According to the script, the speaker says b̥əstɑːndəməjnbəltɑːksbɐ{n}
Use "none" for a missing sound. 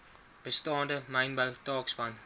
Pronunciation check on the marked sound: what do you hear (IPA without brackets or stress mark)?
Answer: n